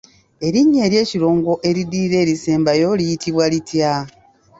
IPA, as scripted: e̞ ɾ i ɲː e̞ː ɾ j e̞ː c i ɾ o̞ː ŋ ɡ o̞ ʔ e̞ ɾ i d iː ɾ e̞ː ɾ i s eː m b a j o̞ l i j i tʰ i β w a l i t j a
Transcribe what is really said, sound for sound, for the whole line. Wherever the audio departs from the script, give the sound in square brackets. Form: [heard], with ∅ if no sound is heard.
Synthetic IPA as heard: e̞ ɾ i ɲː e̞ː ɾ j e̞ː c i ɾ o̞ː ŋ ɡ o̞ ʔ e̞ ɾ i d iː ɾ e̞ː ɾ i s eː m b a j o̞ l i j i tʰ i β w a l i t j a